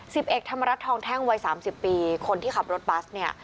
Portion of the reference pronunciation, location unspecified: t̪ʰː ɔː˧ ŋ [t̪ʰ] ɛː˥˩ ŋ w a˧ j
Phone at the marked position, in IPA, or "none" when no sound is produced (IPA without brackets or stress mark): t̪ʰ